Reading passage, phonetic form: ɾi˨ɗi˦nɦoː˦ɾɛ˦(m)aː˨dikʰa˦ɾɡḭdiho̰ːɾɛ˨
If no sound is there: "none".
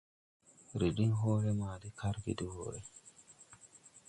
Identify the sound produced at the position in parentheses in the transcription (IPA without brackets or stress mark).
m